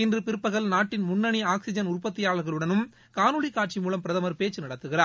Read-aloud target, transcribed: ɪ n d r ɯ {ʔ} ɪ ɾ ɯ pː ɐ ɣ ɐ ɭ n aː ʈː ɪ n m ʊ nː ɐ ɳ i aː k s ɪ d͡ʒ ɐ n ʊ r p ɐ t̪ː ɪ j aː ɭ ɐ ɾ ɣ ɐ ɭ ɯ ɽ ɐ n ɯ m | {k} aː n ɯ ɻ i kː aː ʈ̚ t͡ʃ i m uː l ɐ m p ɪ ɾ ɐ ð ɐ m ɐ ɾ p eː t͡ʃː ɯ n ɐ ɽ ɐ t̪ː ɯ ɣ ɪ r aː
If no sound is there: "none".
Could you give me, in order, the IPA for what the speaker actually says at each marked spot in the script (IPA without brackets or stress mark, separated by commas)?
p, k